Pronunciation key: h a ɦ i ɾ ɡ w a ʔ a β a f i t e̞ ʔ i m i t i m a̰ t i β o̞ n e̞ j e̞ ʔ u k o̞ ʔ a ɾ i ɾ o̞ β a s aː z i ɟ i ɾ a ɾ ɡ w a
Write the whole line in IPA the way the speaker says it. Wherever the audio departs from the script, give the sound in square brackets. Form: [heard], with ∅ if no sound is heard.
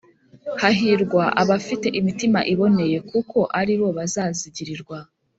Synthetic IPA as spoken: h a ɦ i ɾ ɡ w a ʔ a β a f i t e̞ ʔ i m i t i m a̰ [ʔ] i β o̞ n e̞ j e̞ [k] u k o̞ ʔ a ɾ i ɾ o̞ β a [z] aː z i ɟ i ɾ [i] ɾ ɡ w a